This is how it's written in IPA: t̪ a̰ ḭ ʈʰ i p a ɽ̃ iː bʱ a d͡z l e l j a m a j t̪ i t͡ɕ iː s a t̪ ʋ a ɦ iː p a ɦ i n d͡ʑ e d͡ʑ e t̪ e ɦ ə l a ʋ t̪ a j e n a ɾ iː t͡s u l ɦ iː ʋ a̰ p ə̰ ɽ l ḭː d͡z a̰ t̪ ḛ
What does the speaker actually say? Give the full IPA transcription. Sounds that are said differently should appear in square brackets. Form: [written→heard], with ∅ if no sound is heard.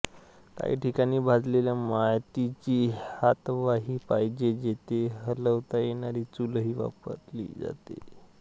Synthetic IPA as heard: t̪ a̰ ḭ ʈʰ i [p→k] a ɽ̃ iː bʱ a d͡z l e l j a m a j t̪ i t͡ɕ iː [s→h] a t̪ ʋ a ɦ iː p a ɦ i [n→∅] d͡ʑ e d͡ʑ e t̪ e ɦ ə l [a→ə] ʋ t̪ a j e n a ɾ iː t͡s u l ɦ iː ʋ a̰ p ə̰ [ɽ→ɾ] l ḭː d͡z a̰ t̪ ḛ

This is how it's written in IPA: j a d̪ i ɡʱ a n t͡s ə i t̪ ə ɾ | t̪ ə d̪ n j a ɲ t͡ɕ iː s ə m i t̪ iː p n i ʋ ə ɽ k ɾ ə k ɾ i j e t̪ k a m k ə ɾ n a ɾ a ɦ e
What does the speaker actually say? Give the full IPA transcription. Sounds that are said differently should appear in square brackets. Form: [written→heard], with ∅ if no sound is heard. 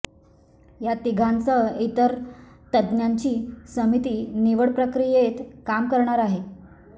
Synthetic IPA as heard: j a [d̪→t̪] i ɡʱ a n t͡s ə i t̪ ə ɾ | t̪ ə d̪ n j a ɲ t͡ɕ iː s ə m i t̪ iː [p→∅] n i ʋ ə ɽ [k→p] ɾ ə k ɾ i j e t̪ k a m k ə ɾ [n→ɳ] a ɾ a ɦ e

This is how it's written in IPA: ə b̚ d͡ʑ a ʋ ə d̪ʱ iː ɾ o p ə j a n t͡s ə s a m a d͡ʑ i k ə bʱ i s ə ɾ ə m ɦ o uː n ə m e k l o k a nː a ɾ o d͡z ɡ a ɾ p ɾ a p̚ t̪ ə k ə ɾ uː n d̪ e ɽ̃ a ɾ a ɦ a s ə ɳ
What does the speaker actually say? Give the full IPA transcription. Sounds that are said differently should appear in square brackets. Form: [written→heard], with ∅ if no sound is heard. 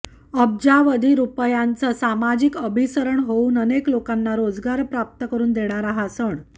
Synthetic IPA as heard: ə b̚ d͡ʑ a ʋ ə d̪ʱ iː ɾ [o→u] p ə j a n t͡s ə s a m a d͡ʑ i k ə bʱ i s ə ɾ ə [m→ɳ] ɦ o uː n ə [m→n] e k l o k a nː a ɾ o d͡z ɡ a ɾ p ɾ a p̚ t̪ ə k ə ɾ uː n d̪ e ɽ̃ a ɾ a ɦ a s ə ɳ

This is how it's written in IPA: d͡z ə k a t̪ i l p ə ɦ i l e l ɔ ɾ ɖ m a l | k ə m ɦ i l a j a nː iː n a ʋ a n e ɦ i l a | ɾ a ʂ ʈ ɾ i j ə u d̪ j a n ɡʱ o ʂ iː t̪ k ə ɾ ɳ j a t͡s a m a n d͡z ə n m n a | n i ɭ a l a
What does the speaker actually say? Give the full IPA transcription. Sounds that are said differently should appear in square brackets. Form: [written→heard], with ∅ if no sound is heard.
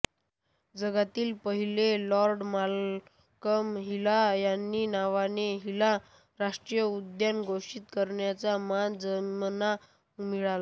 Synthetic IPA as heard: d͡z ə [k→ɡ] a t̪ [i→iː] l p ə ɦ i l e l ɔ ɾ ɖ m a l | k ə m ɦ i l a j a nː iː n a ʋ a n e ɦ i l a | ɾ a ʂ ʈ ɾ i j ə u d̪ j a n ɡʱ o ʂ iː t̪ k ə ɾ ɳ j a t͡s a m a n d͡z ə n m n a | [n→m] i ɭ a l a

